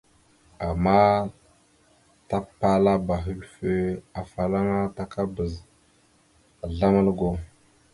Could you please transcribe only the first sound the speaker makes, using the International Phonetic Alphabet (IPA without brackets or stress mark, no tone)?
a